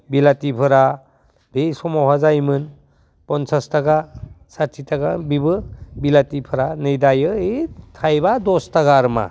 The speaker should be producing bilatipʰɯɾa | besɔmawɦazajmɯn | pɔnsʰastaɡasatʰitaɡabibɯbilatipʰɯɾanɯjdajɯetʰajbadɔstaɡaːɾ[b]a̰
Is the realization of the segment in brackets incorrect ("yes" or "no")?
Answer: yes